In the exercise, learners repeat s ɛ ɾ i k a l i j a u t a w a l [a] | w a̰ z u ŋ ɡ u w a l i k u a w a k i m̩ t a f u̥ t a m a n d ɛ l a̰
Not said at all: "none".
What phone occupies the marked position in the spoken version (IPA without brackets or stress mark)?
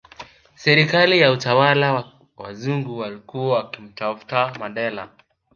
a